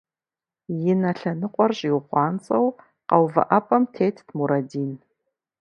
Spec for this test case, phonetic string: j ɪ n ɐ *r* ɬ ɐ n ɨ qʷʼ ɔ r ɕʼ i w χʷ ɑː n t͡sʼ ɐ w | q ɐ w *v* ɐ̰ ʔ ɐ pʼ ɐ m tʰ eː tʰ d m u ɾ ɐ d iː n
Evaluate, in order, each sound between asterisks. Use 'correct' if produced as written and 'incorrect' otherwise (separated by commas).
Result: incorrect, correct